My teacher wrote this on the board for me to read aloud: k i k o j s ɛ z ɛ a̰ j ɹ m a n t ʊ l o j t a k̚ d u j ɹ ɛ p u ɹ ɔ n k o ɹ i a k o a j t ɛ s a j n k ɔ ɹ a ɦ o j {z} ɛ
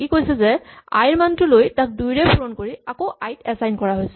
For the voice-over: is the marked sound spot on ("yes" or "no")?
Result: no